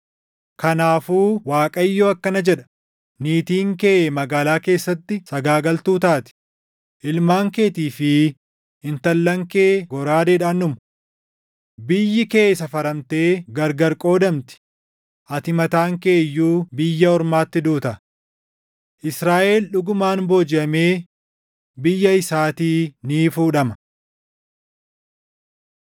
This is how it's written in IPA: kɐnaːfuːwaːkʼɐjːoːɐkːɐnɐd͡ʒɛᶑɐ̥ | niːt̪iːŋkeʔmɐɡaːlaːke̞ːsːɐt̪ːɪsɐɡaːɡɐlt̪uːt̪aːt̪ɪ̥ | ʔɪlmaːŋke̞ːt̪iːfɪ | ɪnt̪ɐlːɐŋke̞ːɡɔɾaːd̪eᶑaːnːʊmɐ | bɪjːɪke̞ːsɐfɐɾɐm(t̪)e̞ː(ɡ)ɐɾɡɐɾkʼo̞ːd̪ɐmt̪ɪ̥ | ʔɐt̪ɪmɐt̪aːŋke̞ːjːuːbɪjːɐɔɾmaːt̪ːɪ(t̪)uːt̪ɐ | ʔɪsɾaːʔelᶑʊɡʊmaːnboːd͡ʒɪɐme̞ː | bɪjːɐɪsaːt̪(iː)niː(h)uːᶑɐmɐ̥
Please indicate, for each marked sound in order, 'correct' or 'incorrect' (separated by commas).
correct, correct, incorrect, correct, incorrect